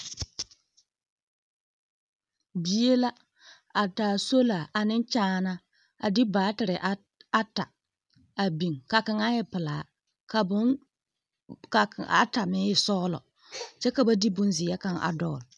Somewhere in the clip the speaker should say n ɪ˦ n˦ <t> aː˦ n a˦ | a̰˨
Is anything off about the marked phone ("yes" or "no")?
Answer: yes